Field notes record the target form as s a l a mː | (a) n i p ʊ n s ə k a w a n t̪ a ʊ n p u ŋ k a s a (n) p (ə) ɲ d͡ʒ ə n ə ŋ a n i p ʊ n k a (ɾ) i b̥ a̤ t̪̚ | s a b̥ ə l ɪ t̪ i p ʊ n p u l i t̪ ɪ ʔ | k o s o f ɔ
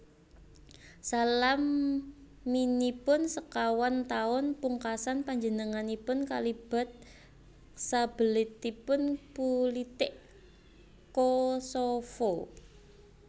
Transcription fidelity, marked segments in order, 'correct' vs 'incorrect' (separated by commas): incorrect, correct, incorrect, incorrect